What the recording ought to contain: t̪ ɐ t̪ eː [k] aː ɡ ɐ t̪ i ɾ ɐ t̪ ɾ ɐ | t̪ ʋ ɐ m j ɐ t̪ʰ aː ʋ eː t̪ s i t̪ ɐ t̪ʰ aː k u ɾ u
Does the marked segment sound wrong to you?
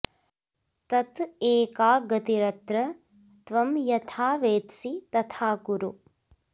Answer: no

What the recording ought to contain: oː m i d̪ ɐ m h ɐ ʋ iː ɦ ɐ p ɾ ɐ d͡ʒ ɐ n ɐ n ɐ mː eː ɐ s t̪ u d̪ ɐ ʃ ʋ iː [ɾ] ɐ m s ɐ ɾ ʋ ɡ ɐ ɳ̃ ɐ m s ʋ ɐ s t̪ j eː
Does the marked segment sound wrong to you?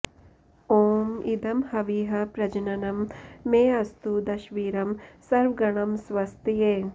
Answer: no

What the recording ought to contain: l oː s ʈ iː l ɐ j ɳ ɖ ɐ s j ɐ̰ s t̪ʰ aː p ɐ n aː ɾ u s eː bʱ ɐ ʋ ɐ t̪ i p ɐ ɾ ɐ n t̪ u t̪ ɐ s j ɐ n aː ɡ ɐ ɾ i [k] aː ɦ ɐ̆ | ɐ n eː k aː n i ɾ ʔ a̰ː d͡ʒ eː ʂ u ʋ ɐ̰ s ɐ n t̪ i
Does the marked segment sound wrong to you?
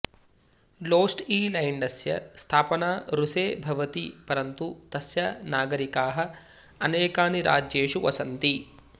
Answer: no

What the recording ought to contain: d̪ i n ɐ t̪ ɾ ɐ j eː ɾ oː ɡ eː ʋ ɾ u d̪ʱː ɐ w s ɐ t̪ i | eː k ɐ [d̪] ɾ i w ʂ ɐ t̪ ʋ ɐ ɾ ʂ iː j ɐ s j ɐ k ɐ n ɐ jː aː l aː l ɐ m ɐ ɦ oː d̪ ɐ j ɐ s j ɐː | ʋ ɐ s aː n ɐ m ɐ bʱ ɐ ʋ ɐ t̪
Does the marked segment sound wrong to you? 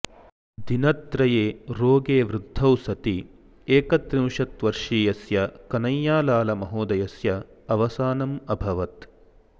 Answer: yes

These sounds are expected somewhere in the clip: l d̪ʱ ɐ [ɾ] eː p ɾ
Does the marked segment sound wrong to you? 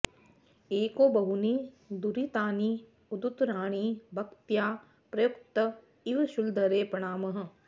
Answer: no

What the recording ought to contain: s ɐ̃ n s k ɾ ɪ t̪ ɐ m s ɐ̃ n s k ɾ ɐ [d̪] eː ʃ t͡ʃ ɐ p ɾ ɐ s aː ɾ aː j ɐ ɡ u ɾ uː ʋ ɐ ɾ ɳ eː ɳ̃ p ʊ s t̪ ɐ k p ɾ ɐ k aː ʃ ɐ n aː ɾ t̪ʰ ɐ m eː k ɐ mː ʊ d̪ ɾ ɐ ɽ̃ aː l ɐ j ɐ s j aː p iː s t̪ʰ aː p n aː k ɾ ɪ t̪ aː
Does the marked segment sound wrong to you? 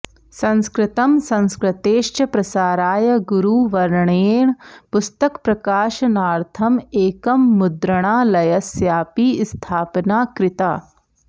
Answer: yes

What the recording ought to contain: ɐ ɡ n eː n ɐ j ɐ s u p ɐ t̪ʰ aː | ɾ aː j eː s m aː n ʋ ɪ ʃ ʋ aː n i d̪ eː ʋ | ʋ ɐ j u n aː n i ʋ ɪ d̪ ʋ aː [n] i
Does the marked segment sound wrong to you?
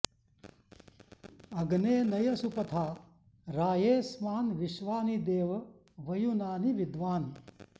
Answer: no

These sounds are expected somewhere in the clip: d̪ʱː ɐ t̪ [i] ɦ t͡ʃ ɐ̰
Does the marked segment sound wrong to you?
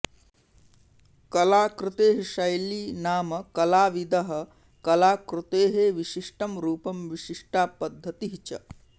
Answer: no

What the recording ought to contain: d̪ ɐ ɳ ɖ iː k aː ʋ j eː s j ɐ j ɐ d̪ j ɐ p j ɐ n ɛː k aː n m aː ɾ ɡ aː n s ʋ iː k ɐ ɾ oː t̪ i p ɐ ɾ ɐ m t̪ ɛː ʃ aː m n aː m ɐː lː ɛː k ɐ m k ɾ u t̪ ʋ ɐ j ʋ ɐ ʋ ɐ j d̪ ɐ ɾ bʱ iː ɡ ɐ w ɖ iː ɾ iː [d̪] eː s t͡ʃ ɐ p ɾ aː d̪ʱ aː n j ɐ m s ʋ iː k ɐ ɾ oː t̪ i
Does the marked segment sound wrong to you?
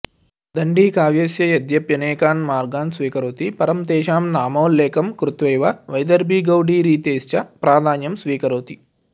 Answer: yes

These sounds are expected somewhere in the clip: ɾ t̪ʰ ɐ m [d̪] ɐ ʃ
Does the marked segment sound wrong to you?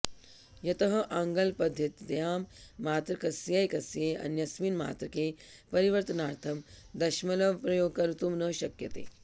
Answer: no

